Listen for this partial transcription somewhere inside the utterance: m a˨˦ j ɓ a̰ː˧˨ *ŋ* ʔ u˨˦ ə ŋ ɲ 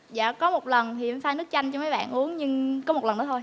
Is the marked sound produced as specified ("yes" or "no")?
no